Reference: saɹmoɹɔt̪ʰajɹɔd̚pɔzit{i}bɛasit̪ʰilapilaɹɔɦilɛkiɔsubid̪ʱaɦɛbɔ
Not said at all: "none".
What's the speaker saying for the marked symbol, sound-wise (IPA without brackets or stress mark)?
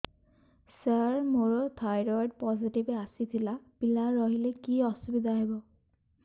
i